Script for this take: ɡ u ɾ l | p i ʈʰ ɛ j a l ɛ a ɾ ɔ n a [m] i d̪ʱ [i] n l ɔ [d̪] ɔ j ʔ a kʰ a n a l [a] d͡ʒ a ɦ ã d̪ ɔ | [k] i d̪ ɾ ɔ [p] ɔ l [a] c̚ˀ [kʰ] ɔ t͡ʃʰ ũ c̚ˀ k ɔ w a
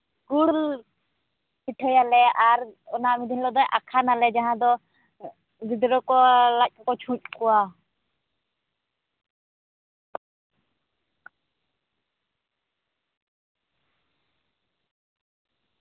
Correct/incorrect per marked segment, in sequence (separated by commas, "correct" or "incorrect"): correct, correct, correct, incorrect, incorrect, incorrect, correct, incorrect